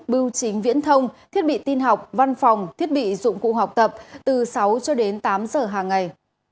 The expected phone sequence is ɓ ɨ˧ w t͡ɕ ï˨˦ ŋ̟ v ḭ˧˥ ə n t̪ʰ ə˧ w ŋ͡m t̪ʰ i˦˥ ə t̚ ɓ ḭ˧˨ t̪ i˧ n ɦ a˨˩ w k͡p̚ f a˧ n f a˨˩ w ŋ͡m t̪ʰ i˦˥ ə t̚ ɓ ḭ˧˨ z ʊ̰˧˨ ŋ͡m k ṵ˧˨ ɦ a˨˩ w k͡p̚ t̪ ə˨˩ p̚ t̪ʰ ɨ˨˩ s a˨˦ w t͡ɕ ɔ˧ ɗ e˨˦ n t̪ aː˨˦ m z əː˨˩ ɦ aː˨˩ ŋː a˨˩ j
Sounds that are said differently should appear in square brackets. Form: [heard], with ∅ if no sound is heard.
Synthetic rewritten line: ɓ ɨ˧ w t͡ɕ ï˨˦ ŋ̟ v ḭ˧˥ ə n t̪ʰ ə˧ w ŋ͡m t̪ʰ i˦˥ ə t̚ ɓ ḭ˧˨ t̪ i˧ n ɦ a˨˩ w k͡p̚ [v] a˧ n f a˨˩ w ŋ͡m t̪ʰ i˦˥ ə t̚ ɓ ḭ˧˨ z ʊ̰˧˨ ŋ͡m k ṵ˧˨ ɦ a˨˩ w k͡p̚ t̪ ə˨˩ p̚ [t̪] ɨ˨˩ s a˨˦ w t͡ɕ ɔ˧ ɗ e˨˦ n t̪ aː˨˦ m z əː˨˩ ɦ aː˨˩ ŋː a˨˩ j